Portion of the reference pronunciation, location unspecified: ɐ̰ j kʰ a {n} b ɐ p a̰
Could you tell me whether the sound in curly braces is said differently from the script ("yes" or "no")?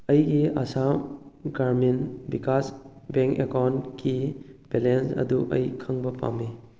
yes